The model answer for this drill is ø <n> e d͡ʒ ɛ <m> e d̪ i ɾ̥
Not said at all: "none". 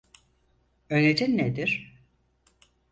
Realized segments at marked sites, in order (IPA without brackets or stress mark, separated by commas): n, n